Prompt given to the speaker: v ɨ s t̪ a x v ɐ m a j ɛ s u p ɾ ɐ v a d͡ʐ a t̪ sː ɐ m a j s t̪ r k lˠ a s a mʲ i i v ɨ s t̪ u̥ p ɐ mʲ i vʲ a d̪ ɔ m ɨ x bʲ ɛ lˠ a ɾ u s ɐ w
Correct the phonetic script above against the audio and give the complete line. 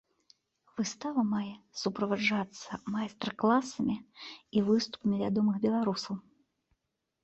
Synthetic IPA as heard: v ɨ s t̪ a v ɐ m a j ɛ s u p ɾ ɐ v a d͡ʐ a t̪ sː ɐ m a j s t̪ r k lˠ a s ɐ mʲ i i v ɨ s t̪ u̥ p ɐ mʲ i vʲ a d̪ ɔ m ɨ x bʲ ɛ lˠ a ɾ u s ɐ w